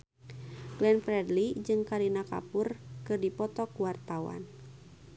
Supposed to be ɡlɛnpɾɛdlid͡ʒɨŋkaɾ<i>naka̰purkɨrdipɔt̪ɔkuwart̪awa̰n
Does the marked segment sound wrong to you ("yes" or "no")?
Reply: no